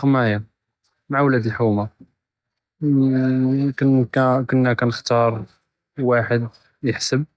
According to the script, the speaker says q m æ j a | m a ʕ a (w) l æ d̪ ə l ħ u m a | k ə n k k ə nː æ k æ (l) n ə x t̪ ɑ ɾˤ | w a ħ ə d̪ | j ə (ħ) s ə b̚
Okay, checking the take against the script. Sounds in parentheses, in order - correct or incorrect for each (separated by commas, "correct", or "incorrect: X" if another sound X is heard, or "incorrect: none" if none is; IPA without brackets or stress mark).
correct, incorrect: none, correct